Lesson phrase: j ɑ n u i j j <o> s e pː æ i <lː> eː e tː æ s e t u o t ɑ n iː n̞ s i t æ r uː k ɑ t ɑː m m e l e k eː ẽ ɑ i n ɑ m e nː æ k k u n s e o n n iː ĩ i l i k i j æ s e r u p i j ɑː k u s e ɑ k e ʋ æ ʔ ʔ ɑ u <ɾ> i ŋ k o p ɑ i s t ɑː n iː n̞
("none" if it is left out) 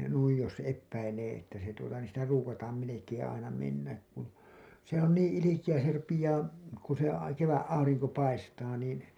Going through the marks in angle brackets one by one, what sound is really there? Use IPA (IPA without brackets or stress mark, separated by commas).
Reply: o, l, r